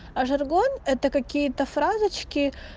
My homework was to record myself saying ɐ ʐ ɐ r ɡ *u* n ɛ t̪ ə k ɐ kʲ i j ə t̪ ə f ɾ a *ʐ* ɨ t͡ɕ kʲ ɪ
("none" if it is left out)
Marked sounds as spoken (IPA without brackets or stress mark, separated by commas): o, z